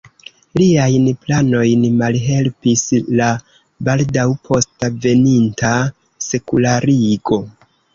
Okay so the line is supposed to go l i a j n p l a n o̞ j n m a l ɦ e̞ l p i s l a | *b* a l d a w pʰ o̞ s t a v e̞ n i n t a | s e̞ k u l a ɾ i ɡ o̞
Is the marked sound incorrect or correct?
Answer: correct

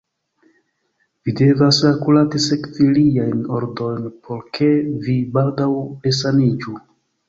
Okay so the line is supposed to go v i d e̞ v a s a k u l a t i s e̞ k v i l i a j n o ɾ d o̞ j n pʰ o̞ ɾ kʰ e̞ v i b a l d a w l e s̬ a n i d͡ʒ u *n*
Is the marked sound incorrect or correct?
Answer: incorrect: none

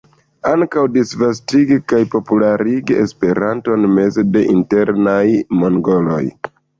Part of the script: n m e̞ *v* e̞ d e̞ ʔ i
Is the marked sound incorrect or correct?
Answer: incorrect: z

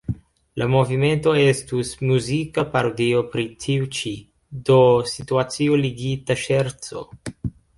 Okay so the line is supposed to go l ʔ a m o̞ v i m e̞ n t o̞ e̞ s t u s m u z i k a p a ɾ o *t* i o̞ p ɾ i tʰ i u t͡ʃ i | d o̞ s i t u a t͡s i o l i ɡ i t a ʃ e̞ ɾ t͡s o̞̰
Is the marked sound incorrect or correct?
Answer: incorrect: d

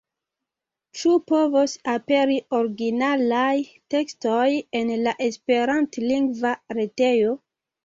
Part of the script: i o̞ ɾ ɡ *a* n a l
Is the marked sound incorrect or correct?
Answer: incorrect: i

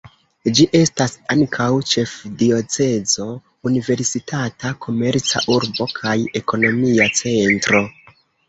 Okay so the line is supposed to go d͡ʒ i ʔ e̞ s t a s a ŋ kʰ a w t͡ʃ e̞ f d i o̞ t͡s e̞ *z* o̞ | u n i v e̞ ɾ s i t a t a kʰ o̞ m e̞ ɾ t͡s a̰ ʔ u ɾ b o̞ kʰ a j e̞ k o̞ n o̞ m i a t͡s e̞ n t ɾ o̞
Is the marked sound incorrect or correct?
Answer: correct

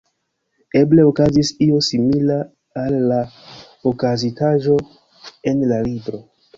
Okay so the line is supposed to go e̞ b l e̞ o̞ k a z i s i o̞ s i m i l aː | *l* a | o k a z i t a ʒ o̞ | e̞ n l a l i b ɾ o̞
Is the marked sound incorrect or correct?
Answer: incorrect: lː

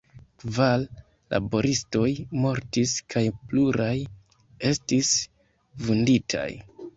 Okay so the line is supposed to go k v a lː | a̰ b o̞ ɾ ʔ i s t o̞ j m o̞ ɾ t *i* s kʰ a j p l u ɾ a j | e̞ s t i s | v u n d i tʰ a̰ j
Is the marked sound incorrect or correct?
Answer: correct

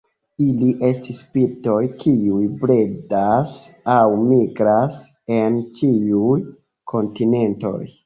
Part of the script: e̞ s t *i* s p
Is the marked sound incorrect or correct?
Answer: correct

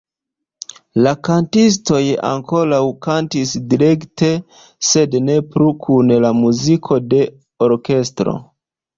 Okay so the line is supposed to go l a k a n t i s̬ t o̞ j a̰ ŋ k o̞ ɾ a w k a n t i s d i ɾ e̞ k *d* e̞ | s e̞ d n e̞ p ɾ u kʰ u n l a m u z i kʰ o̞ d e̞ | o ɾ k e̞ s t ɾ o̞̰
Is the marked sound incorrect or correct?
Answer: incorrect: t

